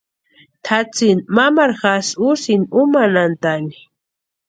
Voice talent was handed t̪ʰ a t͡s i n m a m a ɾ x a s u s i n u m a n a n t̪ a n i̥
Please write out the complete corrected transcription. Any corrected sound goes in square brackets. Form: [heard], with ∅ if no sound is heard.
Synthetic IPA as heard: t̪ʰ a t͡s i n m a m a ɾ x a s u s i n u m a n a n t̪ a n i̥